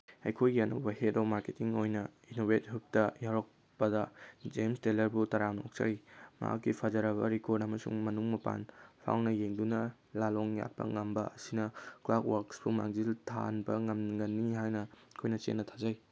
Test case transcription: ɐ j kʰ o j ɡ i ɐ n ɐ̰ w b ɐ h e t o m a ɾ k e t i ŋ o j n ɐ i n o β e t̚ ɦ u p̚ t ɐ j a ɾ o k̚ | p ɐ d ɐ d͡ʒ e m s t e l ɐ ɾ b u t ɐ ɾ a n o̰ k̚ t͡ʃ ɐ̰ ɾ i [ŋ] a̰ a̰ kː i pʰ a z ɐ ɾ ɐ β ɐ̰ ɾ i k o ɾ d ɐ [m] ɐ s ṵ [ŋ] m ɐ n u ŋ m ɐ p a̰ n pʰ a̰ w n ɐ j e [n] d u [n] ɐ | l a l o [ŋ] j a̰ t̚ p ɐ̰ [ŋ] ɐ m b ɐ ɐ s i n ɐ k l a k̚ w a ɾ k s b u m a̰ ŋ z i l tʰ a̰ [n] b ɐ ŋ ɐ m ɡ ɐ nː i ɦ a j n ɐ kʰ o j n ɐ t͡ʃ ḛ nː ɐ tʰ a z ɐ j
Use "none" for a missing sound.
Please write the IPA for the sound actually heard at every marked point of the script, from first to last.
m, m, ŋ, ŋ, n, ŋ, ŋ, n

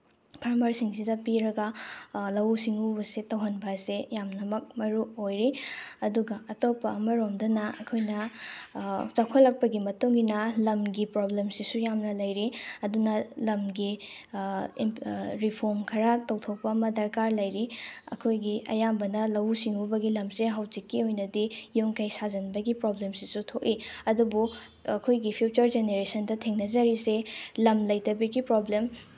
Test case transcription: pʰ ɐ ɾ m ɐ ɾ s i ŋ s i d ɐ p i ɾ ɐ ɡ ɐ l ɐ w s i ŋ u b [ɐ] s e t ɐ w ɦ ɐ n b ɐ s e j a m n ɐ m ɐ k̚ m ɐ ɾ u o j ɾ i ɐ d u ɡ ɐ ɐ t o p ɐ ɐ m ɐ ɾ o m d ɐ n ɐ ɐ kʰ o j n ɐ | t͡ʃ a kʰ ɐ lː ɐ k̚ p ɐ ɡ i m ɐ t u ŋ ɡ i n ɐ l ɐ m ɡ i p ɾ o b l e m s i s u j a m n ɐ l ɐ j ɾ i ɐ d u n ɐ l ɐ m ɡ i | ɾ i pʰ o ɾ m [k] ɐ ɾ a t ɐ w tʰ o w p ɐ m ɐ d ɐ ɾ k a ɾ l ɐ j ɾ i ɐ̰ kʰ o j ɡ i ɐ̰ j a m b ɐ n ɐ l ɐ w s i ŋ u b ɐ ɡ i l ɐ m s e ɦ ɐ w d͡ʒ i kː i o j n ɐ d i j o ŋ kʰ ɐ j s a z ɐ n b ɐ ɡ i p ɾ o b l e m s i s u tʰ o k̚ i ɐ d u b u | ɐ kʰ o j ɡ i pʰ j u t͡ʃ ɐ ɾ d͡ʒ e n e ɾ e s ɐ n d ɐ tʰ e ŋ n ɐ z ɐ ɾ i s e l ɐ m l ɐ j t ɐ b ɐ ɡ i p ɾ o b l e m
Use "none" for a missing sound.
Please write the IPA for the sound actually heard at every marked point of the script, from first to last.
ɐ, kʰ

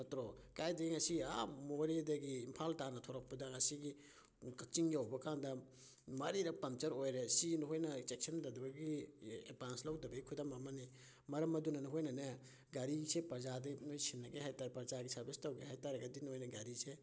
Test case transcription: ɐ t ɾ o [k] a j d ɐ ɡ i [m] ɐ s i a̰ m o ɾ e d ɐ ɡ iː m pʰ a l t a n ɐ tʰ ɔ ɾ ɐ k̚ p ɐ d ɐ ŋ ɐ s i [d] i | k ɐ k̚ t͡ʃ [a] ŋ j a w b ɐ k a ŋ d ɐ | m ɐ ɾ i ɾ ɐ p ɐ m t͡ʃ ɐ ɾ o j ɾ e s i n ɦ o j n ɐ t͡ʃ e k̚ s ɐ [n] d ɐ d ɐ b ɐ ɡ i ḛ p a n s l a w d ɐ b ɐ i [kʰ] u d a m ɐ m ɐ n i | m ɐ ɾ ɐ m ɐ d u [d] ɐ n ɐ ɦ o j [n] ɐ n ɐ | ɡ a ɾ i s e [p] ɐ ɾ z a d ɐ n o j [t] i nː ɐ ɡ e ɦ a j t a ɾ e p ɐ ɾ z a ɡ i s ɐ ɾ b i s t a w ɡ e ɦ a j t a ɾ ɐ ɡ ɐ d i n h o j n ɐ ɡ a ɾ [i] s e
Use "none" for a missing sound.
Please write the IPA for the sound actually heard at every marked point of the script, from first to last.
k, ŋ, ɡ, i, n, kʰ, n, n, p, s, i

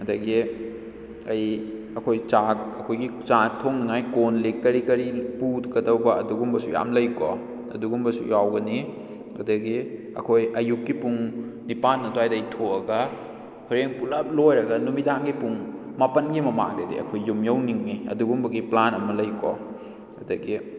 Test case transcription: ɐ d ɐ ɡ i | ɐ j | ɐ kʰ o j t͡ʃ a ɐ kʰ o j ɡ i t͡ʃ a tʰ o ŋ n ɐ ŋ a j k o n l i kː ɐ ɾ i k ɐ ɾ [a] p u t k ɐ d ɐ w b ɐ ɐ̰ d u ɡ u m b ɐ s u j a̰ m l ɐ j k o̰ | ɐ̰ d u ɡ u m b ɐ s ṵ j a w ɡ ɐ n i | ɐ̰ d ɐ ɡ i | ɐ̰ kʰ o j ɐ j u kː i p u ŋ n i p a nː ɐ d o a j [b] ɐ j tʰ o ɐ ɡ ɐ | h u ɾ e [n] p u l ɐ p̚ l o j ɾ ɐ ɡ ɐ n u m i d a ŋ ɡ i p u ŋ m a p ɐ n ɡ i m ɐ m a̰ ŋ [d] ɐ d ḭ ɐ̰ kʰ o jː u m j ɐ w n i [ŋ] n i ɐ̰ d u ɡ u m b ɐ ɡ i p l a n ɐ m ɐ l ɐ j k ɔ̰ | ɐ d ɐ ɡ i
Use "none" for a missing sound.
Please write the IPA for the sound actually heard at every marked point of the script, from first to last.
i, d, ŋ, d, ŋ

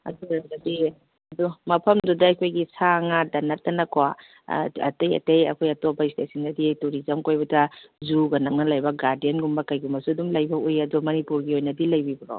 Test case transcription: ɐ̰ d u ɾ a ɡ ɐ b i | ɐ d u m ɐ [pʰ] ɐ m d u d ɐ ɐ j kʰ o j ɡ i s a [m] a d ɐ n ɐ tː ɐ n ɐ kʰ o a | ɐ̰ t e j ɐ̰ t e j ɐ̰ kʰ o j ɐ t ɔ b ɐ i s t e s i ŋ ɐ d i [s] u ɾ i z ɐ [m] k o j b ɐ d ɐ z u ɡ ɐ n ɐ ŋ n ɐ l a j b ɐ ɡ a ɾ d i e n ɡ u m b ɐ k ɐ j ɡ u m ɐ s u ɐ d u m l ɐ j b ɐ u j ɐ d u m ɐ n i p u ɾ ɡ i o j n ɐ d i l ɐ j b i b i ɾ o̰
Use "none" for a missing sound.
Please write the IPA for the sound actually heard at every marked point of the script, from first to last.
pʰ, ŋ, t, m

